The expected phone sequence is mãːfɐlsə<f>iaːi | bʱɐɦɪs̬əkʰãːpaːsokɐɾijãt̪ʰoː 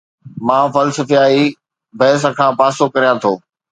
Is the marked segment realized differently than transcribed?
no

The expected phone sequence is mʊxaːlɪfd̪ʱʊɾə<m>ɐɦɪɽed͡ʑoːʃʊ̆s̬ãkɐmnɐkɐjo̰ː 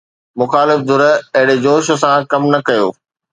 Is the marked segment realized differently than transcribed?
yes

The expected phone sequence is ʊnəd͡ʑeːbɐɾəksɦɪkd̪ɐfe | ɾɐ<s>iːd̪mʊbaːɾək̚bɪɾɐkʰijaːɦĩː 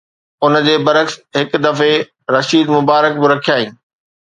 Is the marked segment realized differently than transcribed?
yes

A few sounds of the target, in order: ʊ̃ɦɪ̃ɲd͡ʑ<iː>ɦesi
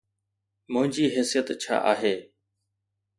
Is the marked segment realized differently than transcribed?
no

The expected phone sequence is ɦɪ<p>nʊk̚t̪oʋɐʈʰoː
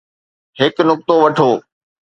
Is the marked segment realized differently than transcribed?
yes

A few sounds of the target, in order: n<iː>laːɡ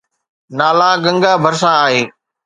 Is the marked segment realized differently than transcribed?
yes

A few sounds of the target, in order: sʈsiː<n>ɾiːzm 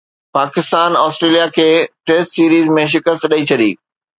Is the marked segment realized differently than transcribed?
yes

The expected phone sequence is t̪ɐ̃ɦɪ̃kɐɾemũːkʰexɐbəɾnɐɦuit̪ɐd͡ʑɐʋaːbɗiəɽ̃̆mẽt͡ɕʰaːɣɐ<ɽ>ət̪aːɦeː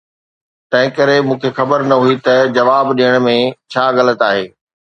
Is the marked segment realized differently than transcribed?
yes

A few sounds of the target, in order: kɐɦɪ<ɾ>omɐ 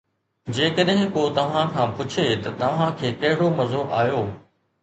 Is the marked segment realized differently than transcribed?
yes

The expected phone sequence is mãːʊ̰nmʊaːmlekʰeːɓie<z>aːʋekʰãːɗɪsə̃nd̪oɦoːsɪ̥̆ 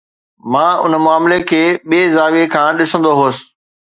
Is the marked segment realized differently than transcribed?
no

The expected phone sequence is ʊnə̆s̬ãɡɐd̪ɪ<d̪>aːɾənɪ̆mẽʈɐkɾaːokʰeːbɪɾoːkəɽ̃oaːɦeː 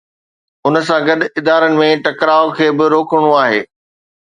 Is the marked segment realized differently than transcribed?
no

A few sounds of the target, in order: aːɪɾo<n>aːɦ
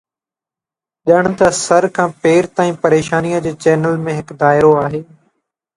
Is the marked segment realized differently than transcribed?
yes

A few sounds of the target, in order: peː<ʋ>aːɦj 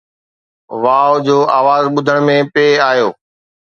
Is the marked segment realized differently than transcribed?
yes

